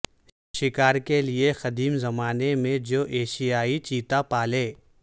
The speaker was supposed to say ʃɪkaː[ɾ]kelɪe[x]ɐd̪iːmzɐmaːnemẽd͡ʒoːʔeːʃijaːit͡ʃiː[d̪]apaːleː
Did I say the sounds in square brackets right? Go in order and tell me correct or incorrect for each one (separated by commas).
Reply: correct, correct, incorrect